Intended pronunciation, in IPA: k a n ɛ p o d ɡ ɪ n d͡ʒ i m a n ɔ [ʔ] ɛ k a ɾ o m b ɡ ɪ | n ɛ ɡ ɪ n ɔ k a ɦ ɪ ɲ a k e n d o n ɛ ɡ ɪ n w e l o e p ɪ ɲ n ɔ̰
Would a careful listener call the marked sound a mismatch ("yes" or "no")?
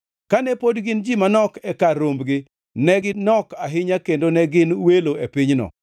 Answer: yes